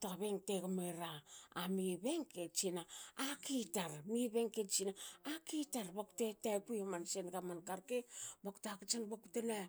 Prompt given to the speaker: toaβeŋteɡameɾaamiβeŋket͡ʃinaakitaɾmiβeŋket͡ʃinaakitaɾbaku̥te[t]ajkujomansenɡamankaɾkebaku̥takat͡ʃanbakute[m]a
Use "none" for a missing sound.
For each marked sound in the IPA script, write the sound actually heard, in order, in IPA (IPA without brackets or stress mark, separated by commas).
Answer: t, n